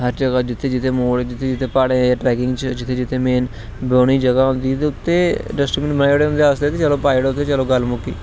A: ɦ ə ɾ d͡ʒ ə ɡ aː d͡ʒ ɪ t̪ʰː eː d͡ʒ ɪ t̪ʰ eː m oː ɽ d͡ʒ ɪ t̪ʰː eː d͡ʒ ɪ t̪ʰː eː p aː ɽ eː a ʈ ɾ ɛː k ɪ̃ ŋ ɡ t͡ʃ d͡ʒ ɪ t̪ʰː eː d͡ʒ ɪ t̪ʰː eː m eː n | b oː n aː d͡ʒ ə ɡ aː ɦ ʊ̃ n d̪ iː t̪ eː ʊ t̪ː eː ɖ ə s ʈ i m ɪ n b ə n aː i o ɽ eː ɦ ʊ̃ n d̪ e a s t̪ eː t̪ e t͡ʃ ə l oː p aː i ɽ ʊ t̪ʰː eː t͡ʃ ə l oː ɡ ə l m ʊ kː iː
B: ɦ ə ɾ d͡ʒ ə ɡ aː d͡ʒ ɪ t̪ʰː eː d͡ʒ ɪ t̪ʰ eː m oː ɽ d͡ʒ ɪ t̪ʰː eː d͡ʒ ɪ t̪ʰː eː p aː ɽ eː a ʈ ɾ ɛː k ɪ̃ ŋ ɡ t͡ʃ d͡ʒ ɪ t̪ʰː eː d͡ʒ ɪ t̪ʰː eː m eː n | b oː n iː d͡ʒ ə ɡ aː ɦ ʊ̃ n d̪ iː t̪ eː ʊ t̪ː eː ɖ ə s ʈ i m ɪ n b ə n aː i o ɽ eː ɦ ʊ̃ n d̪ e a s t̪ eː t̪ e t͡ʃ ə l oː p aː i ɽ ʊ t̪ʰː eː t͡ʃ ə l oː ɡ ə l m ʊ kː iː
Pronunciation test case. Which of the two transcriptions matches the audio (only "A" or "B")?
B